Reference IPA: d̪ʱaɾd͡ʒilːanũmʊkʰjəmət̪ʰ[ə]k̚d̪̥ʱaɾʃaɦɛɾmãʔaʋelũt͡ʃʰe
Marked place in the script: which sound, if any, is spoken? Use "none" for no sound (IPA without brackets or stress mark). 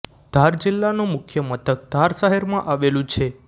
ə